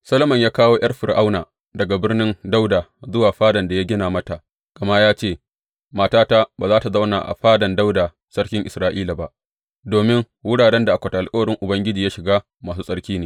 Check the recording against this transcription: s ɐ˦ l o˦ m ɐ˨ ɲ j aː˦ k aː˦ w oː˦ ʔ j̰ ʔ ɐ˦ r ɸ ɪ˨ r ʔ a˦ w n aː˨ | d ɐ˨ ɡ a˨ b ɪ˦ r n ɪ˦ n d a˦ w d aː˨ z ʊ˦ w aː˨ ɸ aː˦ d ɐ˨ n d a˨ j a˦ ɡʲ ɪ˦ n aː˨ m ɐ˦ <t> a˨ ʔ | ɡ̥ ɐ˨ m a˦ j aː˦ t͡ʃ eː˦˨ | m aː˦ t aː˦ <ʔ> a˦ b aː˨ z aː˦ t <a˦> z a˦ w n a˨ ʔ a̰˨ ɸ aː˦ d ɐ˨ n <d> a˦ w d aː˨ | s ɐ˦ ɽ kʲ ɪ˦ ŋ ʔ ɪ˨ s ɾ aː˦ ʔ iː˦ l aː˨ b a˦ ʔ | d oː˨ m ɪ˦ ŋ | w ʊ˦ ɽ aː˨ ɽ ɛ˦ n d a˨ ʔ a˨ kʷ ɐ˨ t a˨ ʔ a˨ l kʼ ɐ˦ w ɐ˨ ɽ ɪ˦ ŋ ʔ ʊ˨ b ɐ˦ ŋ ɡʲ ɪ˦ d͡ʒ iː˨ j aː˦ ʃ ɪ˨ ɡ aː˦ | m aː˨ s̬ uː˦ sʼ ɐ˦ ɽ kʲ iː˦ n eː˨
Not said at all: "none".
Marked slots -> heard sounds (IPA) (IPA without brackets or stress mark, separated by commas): t, t, a˨, d